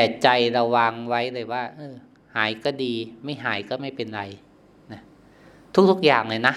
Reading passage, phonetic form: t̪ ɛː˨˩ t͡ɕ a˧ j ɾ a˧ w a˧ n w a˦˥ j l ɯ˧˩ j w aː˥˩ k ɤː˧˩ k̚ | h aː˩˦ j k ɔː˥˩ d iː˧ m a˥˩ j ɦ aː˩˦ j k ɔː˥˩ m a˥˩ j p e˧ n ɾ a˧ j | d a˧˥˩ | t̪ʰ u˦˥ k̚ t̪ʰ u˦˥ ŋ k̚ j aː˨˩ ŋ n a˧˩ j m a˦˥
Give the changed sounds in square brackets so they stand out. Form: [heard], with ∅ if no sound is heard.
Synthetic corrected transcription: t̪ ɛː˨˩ t͡ɕ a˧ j ɾ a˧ w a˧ [ŋ] w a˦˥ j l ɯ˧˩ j w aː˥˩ [ʔ] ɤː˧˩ [∅] | h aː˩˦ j k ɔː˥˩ d iː˧ m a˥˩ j ɦ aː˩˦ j k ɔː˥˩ m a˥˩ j p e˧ n ɾ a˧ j | [n] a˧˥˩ | t̪ʰ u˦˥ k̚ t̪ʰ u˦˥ [∅] k̚ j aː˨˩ ŋ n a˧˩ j [n] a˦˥